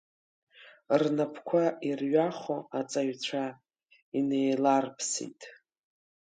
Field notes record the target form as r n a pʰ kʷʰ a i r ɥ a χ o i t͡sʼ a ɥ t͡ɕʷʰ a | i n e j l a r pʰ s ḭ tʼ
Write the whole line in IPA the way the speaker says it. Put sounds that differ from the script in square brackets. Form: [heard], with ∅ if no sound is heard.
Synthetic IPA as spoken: r n a pʰ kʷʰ a i r ɥ a χ o [a] t͡sʼ a ɥ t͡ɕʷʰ a | i n e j l a r pʰ s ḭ tʼ